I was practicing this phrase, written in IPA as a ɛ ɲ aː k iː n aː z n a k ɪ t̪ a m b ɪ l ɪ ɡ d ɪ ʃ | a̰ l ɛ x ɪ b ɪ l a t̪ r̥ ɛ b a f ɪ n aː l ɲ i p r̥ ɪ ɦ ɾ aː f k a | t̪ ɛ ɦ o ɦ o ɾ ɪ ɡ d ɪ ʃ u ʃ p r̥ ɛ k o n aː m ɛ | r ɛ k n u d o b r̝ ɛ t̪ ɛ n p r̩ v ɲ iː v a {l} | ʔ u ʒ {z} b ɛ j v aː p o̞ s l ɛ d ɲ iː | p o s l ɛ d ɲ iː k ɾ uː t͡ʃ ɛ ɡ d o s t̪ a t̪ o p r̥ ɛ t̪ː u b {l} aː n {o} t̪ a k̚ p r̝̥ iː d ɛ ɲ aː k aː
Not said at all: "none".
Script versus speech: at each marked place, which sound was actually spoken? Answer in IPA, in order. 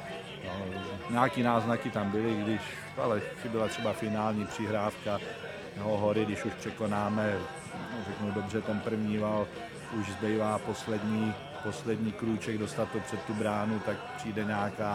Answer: l, z, ɾ, u

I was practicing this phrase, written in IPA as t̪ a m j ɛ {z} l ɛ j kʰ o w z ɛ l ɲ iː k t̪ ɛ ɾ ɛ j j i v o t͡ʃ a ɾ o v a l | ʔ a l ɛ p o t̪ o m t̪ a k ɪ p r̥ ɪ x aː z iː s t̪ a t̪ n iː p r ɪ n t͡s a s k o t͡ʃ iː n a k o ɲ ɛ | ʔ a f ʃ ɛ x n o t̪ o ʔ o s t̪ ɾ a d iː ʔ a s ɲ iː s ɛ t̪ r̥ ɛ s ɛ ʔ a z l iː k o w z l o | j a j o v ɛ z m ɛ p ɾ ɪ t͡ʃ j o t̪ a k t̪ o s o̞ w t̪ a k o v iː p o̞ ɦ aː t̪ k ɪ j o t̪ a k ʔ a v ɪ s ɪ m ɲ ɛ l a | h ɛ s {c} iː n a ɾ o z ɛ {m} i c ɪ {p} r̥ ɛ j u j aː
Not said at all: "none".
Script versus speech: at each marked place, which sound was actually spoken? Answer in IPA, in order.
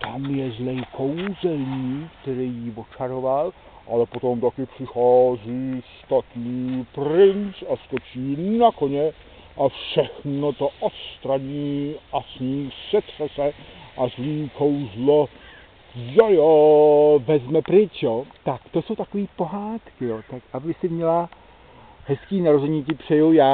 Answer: z, k, ɲ, p

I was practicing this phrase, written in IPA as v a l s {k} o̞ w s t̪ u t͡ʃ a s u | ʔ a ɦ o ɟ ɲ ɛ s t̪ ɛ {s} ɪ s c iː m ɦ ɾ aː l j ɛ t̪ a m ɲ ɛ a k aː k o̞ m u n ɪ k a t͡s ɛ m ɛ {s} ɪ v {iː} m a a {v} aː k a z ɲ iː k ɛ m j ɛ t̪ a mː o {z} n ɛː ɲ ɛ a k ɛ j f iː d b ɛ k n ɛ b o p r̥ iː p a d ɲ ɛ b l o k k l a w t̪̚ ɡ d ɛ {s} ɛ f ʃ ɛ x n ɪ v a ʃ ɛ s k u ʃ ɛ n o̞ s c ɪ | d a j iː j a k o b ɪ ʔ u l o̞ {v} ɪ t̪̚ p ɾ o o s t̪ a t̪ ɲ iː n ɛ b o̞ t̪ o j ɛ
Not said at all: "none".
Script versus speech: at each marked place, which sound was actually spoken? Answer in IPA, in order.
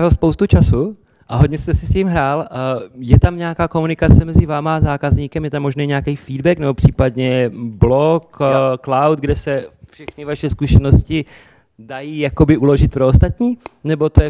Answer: p, s, z, aː, z, ʒ, s, ʒ

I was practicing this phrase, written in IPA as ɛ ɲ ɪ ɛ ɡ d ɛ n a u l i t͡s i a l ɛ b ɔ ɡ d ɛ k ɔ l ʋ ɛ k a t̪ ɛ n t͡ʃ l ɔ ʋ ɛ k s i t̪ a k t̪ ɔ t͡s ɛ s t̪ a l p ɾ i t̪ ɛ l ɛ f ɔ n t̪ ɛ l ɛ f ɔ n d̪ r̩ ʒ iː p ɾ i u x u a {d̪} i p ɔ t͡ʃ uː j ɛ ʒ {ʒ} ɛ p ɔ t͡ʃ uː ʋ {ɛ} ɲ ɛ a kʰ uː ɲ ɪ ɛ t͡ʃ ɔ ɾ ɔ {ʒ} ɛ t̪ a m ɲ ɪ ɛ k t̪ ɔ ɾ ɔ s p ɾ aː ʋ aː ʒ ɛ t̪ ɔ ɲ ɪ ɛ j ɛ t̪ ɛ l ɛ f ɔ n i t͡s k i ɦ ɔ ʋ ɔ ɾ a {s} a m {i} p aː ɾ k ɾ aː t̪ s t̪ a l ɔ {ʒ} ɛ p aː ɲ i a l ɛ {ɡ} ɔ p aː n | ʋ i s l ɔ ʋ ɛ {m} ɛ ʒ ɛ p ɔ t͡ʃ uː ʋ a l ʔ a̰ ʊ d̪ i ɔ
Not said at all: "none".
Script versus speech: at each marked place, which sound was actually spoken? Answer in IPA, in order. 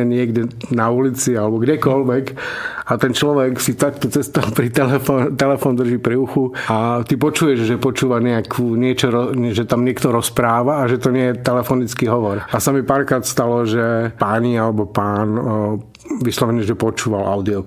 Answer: t̪, ʒ, a, ʒ, s, i, ʒ, b, ɲ

